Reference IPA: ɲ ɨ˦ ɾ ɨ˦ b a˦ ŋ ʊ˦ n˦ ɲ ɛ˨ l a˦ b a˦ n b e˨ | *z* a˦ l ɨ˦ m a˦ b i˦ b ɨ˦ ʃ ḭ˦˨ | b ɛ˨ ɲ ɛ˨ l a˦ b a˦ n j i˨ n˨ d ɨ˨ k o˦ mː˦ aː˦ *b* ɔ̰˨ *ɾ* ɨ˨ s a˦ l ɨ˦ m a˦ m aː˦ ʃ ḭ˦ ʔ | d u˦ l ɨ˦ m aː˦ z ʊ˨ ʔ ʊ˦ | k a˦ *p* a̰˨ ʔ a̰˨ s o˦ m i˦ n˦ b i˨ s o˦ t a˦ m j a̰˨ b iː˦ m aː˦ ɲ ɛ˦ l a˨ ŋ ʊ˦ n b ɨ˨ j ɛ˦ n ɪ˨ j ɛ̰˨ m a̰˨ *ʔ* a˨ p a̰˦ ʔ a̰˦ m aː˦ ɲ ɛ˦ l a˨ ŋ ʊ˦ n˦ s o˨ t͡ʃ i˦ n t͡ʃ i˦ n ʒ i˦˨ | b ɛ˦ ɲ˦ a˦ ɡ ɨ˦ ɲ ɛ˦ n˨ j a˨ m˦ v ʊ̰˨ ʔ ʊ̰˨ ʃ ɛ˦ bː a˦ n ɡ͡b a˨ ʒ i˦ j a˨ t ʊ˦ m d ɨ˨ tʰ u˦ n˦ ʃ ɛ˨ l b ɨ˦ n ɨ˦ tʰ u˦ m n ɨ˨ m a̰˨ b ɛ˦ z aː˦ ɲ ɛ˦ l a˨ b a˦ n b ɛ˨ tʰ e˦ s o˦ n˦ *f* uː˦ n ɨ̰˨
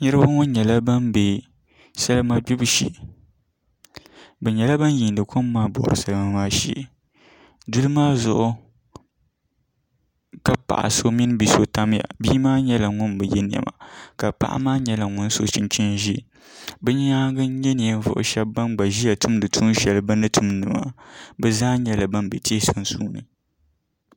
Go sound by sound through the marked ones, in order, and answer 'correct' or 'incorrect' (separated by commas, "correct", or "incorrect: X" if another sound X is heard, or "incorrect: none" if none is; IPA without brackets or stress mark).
incorrect: s, correct, correct, correct, incorrect: k, incorrect: s